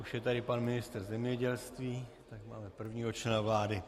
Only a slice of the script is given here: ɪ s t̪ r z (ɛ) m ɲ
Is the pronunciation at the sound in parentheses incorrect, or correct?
correct